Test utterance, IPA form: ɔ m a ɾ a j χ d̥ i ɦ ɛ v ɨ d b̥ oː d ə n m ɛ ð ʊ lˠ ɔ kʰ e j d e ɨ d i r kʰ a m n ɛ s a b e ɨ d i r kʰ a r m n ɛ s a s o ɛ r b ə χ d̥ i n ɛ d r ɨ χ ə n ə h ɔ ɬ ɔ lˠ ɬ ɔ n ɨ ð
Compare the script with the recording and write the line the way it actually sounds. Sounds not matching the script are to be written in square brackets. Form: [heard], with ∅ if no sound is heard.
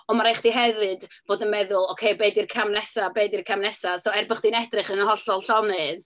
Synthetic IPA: ɔ m a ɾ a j χ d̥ i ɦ ɛ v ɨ d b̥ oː d ə n m ɛ ð ʊ lˠ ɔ kʰ e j [b] e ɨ d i r kʰ a m n ɛ s a b e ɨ d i r kʰ a [∅] m n ɛ s a s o ɛ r b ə χ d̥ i n ɛ d r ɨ χ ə n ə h ɔ ɬ ɔ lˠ ɬ ɔ n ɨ ð

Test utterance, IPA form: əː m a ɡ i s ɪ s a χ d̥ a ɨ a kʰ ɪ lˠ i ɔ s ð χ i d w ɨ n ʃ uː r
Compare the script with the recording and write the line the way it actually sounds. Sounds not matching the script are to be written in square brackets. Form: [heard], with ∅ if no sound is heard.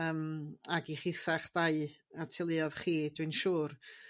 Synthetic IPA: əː m a ɡ i [χ] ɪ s a χ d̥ a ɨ a [tʰ] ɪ lˠ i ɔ [∅] ð χ [iː] d w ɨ n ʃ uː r

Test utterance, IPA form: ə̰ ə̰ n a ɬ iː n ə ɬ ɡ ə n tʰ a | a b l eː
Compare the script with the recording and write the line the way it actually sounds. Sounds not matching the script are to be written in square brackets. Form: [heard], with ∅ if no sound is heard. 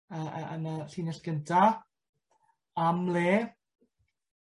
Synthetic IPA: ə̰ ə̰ n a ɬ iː n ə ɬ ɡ ə n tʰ a | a [m] l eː

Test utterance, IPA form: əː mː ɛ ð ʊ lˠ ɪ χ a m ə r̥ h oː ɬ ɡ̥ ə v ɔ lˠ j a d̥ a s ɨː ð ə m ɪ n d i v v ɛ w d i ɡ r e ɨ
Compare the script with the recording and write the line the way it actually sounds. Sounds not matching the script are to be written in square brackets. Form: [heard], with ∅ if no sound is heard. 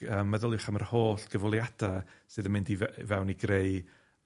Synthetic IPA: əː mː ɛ ð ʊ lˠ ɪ χ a m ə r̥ h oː ɬ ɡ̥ ə v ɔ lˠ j a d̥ a s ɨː ð ə m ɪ n d i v v ɛ w [n] i ɡ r e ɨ

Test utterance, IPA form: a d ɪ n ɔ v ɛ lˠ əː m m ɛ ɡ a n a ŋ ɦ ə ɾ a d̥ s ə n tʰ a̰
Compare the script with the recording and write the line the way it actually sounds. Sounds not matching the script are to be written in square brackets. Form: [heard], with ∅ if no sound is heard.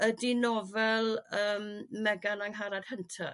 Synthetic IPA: [ə] d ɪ n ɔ v ɛ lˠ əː m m ɛ ɡ a n a ŋ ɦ [a] ɾ a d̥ [h] ə n tʰ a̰

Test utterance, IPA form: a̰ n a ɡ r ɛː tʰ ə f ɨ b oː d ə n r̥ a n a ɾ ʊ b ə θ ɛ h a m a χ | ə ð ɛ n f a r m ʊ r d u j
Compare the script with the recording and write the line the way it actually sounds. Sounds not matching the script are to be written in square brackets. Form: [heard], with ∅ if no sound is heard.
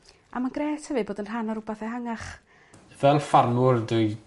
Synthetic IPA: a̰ [m] a ɡ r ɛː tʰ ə [v] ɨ b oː d ə n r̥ a n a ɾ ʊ b [a] θ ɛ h a [ŋ] a χ | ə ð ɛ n f a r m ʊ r d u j

